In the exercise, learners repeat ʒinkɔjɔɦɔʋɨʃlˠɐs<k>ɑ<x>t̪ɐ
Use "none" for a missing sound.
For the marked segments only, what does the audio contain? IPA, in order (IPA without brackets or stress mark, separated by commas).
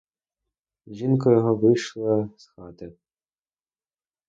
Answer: x, none